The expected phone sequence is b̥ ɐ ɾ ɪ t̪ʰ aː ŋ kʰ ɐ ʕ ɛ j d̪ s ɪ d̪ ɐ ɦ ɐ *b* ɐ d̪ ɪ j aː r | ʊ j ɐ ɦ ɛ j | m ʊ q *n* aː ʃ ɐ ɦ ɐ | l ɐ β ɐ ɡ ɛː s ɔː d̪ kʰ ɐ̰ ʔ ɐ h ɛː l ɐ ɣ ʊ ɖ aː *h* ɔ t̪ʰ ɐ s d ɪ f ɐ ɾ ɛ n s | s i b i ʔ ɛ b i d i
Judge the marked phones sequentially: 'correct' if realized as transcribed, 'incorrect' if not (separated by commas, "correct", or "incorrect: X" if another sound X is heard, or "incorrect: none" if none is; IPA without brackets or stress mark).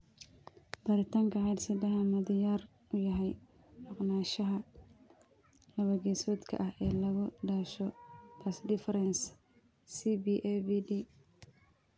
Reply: incorrect: m, correct, incorrect: ʃ